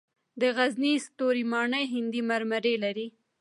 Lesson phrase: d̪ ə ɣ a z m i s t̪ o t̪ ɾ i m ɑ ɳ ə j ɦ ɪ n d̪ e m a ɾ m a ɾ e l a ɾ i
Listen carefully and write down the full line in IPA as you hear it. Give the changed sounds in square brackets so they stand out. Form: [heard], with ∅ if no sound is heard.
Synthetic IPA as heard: d̪ ə ɣ a z [n] i s t̪ o [∅] ɾ i m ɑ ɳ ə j ɦ ɪ n d̪ [i] m a ɾ m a ɾ e l a ɾ i